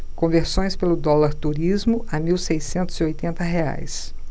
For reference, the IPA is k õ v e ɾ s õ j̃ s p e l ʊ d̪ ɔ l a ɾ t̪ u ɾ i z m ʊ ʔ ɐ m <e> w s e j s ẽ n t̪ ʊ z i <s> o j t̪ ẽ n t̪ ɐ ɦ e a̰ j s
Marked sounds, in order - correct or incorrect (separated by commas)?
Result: incorrect, incorrect